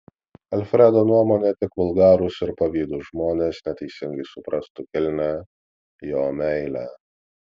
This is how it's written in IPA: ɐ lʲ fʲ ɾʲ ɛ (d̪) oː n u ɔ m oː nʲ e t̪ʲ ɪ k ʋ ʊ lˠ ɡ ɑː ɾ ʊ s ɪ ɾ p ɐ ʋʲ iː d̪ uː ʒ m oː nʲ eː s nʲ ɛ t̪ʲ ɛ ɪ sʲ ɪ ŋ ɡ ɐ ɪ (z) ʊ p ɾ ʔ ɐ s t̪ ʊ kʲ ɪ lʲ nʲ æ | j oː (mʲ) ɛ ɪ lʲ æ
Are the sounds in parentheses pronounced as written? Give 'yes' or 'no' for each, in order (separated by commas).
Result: yes, no, yes